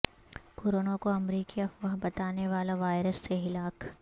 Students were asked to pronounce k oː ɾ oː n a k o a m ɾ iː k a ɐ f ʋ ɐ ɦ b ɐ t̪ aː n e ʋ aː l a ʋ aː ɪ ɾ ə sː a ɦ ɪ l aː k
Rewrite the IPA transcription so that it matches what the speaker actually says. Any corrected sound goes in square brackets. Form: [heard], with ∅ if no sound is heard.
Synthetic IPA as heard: k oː ɾ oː n a k o [ɐ] m ɾ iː k [i] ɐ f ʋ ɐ ɦ b ɐ t̪ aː n e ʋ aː l a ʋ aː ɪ ɾ ə sː [e] ɦ ɪ l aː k